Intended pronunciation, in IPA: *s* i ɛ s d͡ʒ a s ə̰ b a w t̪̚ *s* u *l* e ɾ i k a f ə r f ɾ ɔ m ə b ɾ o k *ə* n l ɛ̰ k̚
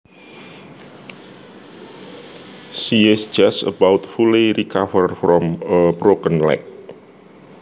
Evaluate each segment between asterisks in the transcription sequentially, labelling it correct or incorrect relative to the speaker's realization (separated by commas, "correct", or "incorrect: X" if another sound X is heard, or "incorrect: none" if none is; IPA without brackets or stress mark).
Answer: correct, incorrect: f, correct, correct